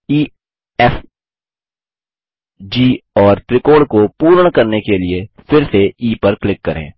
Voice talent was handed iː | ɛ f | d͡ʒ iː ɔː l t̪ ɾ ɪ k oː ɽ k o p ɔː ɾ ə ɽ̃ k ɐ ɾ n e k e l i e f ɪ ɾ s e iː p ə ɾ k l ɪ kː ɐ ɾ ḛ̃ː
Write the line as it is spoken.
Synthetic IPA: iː | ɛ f | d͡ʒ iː ɔː ɾ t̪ ɾ ɪ k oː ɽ k o p uː ɾ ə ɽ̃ k ɐ ɾ n e k e l i e f ɪ ɾ s e iː p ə ɾ k l ɪ kː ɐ ɾ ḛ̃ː

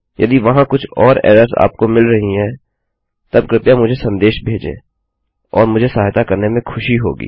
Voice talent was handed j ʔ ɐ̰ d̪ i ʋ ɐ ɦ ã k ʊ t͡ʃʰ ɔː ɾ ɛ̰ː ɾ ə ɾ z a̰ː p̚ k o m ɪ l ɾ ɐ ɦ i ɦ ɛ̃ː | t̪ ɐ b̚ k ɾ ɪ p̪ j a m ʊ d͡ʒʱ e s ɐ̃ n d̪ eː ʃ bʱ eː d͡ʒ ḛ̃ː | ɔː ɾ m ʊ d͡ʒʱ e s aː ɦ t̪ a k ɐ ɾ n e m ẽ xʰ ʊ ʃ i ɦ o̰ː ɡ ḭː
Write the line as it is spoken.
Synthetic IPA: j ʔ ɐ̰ d̪ i ʋ ɐ ɦ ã k ʊ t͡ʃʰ ɔː ɾ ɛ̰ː ɾ ə ɾ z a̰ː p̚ k o m ɪ l ɾ ɐ ɦ i ɦ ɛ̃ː | t̪ ɐ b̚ k ɾ ɪ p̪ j a m ʊ d͡ʒʱ e s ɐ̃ n d̪ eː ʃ bʱ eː d͡ʒ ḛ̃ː | ɔː ɾ m ʊ d͡ʒʱ e s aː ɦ t̪ a k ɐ ɾ n e m ẽ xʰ ʊ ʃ i ɦ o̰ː ɡ ḭː

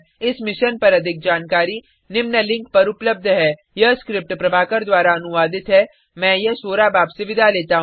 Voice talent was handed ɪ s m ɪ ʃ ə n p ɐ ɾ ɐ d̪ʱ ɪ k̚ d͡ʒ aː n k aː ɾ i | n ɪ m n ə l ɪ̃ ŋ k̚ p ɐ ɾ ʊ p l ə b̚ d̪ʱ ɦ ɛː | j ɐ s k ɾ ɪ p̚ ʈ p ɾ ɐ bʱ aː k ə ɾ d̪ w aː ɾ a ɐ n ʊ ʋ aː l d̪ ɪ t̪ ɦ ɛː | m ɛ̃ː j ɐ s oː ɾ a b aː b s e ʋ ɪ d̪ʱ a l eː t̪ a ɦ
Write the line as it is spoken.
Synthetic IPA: ɪ s m ɪ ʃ ə n p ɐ ɾ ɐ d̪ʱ ɪ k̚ d͡ʒ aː n k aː ɾ i | n ɪ m n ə l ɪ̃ ŋ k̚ p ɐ ɾ ʊ p l ə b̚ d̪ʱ ɦ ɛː | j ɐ s k ɾ ɪ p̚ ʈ p ɾ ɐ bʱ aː k ə ɾ d̪ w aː ɾ a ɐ n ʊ ʋ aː d̪ ɪ t̪ ɦ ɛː | m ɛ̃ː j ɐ s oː ɾ a b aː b s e ʋ ɪ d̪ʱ a l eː t̪ a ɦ

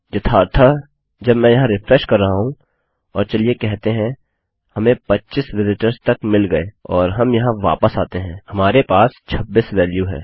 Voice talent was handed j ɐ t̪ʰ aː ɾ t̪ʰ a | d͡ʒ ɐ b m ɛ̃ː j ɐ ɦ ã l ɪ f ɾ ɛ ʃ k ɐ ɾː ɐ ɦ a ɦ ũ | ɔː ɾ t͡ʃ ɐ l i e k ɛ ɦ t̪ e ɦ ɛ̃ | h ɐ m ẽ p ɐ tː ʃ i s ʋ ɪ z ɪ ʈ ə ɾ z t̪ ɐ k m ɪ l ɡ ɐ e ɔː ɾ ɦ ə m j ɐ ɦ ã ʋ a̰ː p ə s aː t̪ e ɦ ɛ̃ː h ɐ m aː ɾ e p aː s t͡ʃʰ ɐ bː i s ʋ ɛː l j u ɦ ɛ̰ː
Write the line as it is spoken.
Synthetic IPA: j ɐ t̪ʰ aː ɾ t̪ʰ a | d͡ʒ ɐ b m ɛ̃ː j ɐ ɦ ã ɾ ɪ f ɾ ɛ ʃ k ɐ ɾː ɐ ɦ a ɦ ũ | ɔː ɾ t͡ʃ ɐ l i e k ɛ ɦ t̪ e ɦ ɛ̃ | h ɐ m ẽ p ɐ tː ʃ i s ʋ ɪ z ɪ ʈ ə ɾ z t̪ ɐ k m ɪ l ɡ ɐ e ɔː ɾ ɦ ɐ m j ɐ ɦ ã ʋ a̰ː p ə s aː t̪ e ɦ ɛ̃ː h ɐ m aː ɾ e p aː s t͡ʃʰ ɐ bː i s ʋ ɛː l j u ɦ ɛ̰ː

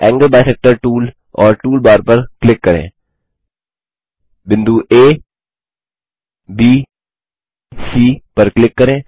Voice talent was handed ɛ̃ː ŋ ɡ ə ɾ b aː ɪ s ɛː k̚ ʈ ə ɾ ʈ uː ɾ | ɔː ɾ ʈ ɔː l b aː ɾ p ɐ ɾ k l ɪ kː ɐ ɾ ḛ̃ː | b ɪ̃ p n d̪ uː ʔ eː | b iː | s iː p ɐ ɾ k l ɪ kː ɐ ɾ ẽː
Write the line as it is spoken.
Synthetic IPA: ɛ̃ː ŋ ɡ ə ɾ b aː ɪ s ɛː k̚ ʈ ə ɾ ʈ uː l | ɔː ɾ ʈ uː l b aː ɾ p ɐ ɾ k l ɪ kː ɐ ɾ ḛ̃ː | b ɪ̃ n d̪ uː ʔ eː | b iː | s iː p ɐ ɾ k l ɪ kː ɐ ɾ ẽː

